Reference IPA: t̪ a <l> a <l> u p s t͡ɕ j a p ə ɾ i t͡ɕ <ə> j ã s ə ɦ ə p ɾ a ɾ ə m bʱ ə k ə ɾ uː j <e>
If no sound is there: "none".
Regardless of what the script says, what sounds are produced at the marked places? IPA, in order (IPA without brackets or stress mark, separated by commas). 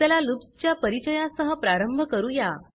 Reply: l, l, ə, a